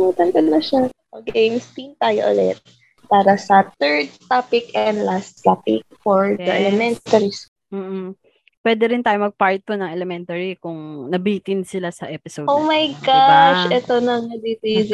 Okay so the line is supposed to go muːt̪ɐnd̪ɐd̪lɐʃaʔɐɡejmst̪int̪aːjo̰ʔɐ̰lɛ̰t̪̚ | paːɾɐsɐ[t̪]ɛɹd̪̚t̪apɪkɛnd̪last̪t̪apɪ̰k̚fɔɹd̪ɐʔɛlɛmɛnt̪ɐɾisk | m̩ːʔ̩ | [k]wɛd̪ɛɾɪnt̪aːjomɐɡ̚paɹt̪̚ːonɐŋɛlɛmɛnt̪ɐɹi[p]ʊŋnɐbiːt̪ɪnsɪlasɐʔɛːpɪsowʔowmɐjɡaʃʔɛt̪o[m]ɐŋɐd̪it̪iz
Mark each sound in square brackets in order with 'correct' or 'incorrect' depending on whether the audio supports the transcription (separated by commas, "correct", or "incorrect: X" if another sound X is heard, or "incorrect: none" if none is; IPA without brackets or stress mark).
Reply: correct, incorrect: p, incorrect: k, incorrect: n